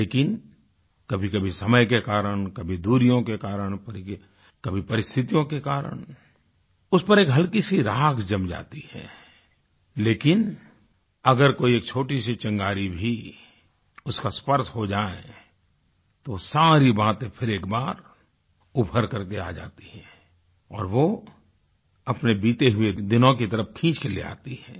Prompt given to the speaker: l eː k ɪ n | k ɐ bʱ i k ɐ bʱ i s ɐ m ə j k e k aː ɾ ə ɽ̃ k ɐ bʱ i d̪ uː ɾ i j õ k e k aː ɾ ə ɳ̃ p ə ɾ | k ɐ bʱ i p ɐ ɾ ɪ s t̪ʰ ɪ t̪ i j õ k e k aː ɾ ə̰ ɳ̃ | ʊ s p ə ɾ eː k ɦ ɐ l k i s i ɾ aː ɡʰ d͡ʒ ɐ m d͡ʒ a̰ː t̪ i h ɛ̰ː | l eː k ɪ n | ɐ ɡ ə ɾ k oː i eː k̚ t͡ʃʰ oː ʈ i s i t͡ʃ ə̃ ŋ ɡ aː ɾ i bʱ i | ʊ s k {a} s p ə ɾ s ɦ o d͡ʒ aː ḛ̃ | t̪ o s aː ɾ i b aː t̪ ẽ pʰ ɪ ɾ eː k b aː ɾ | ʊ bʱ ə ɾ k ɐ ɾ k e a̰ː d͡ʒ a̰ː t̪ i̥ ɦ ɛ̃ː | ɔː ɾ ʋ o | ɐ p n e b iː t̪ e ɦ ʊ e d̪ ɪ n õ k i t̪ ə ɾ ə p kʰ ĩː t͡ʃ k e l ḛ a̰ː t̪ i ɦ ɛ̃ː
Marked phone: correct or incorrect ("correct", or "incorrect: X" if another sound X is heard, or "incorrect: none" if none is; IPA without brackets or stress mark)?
correct